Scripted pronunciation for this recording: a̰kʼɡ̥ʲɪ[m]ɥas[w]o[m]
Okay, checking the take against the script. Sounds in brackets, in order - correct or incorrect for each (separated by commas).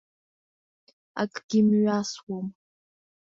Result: correct, correct, correct